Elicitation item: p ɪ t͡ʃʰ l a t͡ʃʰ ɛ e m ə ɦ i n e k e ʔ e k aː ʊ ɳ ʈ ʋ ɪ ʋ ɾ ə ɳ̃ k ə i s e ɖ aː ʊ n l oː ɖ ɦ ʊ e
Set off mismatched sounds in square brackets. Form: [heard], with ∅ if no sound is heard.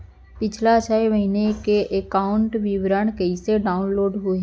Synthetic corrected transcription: p ɪ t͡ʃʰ l a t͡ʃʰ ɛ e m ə ɦ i n e k e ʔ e k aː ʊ ɳ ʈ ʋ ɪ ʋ ɾ ə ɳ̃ k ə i s e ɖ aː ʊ n l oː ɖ ɦ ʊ e